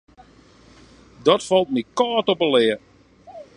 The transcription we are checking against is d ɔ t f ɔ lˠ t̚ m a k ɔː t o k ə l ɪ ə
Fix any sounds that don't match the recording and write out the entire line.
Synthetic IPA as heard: d ɔ t f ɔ lˠ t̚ m i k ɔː t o p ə l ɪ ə